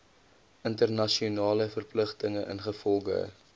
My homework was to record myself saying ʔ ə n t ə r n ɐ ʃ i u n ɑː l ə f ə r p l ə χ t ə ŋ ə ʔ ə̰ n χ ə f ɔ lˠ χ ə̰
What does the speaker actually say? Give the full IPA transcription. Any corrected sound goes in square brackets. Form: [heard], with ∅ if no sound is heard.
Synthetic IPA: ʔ ə n t ə r n ɐ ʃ i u n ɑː l ə f ə r p l ə χ t ə ŋ ə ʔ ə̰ n χ ə f ɔ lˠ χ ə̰